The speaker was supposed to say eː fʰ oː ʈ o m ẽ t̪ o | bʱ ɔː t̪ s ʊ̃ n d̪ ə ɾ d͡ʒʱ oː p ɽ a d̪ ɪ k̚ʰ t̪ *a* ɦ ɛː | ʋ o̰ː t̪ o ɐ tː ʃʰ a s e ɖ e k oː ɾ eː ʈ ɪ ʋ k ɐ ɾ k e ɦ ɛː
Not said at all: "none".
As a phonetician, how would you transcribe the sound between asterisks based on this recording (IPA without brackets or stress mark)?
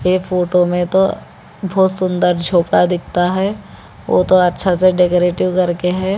a